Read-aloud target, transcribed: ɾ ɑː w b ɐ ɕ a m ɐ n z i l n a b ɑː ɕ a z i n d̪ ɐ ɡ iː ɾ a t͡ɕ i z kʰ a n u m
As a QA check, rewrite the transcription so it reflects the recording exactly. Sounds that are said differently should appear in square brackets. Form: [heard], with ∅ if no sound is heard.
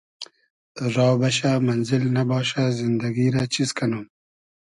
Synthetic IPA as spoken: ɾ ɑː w b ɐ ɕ a m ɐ n z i l n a b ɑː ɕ a z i n d̪ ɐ ɡ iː ɾ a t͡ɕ i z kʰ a n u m